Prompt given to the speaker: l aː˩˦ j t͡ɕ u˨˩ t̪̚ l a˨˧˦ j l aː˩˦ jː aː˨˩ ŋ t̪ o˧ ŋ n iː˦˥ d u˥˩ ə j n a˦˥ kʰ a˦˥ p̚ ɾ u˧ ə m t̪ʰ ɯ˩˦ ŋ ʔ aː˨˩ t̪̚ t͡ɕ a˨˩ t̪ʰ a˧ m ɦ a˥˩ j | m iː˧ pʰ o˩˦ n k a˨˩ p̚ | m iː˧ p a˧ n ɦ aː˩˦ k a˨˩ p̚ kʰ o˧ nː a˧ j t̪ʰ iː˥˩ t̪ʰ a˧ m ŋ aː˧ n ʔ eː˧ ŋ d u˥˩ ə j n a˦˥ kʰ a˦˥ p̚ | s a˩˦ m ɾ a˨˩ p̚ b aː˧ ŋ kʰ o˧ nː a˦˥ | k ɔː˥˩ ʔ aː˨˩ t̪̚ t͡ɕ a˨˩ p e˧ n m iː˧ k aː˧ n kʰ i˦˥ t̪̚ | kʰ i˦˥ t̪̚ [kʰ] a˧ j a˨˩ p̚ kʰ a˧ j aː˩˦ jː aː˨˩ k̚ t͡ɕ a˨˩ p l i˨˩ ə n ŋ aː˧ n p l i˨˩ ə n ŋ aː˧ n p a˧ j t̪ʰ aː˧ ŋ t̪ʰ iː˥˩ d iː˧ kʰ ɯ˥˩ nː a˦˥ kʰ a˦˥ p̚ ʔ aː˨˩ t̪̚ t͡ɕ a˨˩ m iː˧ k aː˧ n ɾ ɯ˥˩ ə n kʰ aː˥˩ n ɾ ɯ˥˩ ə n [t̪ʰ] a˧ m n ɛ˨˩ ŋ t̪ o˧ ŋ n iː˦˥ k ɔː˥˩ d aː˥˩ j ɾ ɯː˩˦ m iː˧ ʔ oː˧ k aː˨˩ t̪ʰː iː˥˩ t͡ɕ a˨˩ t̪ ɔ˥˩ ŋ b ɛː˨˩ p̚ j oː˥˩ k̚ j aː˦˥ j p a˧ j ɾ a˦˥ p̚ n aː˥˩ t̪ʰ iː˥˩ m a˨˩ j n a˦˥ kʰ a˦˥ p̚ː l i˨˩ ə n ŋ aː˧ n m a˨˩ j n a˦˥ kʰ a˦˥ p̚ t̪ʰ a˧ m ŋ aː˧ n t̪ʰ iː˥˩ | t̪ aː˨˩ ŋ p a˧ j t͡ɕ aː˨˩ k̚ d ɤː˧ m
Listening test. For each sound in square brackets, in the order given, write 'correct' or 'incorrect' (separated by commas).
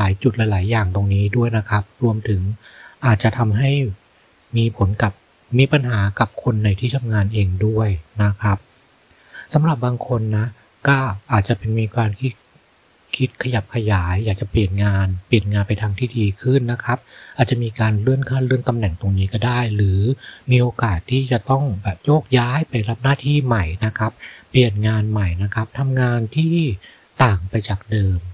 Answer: correct, incorrect